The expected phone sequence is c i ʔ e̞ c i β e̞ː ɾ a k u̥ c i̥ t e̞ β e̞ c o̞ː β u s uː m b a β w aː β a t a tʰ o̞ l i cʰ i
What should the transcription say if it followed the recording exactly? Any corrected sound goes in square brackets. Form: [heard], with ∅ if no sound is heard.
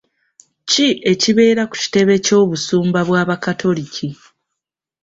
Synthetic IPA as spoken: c i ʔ e̞ c i β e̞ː ɾ a k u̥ c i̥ t e̞ β e̞ c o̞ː β u s uː m b a β w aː β a [k] a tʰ o̞ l i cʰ i